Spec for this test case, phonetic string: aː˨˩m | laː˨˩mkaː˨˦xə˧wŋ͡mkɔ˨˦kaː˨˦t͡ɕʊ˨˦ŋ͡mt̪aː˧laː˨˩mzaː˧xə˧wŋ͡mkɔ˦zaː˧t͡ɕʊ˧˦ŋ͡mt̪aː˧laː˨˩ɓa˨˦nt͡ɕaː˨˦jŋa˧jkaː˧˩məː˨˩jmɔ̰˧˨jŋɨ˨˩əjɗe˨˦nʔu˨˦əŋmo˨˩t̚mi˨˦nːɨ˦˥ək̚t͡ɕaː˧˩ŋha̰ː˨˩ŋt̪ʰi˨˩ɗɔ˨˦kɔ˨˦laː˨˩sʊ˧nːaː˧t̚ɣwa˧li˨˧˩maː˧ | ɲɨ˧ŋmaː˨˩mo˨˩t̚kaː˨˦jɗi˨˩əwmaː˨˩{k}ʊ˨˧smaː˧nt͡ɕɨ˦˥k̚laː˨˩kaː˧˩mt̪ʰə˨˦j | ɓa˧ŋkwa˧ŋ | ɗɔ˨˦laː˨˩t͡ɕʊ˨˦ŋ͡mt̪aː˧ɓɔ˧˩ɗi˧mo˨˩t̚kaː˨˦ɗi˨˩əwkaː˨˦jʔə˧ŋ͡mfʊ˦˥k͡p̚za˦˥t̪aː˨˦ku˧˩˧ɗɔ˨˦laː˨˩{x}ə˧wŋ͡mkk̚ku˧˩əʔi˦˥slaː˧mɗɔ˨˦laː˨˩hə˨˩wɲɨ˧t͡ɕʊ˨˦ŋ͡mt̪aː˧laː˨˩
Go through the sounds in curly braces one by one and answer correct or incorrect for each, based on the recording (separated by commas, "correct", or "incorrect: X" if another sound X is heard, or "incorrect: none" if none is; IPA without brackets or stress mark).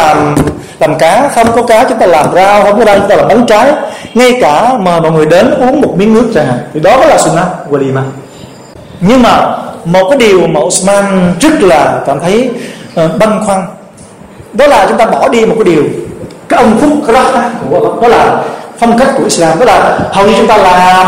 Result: incorrect: ʔ, incorrect: f